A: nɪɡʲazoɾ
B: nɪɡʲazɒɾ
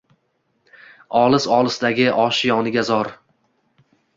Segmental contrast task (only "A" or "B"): B